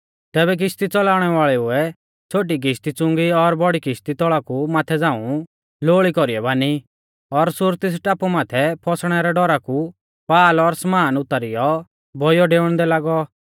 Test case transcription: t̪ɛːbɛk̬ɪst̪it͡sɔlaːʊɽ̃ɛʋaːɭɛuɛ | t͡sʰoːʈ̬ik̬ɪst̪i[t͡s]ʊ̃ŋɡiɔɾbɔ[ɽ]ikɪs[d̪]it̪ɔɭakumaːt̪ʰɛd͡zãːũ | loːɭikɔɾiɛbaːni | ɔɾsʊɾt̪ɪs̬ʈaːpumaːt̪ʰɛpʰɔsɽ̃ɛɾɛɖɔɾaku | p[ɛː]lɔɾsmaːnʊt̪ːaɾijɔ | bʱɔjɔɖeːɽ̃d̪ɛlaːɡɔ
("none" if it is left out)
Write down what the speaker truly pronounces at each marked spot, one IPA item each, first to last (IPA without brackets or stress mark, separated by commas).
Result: t͡s, ɽ, t̪, aː